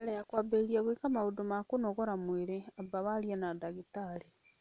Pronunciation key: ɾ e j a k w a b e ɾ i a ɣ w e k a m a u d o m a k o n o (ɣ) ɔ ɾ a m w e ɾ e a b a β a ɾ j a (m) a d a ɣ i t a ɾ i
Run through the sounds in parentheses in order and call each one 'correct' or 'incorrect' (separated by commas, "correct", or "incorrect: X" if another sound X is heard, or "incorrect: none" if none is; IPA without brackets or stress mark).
correct, incorrect: n